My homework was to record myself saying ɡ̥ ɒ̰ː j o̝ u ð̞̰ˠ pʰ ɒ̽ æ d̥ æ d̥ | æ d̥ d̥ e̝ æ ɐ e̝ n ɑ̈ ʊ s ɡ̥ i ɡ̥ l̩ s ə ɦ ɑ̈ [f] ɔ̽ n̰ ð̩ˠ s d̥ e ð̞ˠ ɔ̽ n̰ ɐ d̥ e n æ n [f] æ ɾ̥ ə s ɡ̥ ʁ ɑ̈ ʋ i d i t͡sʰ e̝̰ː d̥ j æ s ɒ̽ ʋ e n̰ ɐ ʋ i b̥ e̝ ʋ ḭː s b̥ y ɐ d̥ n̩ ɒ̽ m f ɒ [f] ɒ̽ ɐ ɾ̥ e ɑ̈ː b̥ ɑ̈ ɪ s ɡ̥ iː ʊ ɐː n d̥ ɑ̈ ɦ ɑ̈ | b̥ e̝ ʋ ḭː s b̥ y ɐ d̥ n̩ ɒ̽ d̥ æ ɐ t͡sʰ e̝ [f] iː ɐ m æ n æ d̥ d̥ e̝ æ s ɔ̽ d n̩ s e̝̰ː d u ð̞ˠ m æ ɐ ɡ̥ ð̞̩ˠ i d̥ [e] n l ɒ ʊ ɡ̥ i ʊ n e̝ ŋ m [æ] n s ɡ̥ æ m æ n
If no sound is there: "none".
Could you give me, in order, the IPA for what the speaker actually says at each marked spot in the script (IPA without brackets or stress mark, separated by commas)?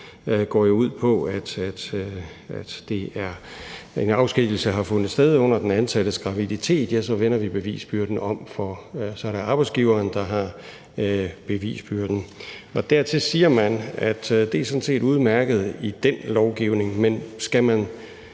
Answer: f, s, s, s, e, e